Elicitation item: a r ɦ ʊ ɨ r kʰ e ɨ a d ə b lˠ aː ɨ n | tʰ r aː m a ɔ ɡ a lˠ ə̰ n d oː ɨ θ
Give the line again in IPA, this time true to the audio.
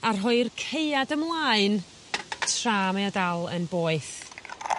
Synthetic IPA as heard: a r ɦ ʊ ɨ r kʰ e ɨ a d ə m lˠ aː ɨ n | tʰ r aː m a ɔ d a lˠ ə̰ n b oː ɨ θ